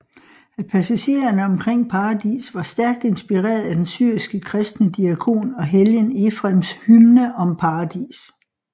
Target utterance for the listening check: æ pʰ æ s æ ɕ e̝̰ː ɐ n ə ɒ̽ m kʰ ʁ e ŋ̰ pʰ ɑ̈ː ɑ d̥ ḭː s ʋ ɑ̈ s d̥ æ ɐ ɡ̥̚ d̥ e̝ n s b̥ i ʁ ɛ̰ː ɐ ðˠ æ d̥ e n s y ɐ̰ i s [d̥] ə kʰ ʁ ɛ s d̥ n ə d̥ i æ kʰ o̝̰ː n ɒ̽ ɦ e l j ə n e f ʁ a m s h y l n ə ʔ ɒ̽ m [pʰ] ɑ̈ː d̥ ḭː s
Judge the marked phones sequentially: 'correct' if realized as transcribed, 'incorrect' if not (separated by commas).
incorrect, correct